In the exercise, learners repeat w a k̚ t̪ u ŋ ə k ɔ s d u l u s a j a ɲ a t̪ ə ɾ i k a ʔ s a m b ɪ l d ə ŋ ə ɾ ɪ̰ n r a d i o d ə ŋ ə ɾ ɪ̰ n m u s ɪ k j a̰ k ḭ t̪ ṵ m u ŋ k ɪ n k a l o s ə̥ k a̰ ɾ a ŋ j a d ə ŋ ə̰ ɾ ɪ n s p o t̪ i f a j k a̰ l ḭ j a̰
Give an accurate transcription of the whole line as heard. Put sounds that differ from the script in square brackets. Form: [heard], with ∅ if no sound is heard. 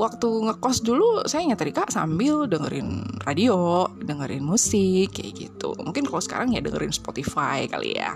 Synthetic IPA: w a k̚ t̪ u ŋ ə k ɔ s d u l u s a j a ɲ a t̪ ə ɾ i k a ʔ s a m b ɪ l d ə ŋ ə ɾ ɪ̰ n r a d i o d ə ŋ ə ɾ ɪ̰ n m u s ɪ k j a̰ [ɡ] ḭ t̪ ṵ m u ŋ k ɪ n k a l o s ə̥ k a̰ ɾ a ŋ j a d ə ŋ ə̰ ɾ ɪ n s p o t̪ i f a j k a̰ l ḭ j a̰